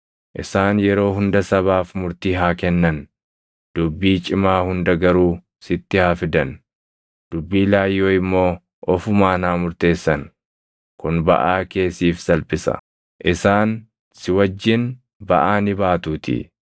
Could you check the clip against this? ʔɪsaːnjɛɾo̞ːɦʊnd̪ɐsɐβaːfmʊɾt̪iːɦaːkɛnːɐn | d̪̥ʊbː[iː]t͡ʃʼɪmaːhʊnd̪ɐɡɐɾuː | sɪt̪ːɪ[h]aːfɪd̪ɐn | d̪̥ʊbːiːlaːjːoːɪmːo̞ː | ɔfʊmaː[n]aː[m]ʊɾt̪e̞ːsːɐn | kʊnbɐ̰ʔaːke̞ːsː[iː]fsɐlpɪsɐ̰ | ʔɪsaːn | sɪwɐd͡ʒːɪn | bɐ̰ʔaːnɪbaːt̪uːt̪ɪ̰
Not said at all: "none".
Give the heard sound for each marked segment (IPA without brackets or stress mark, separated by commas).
iː, h, n, m, iː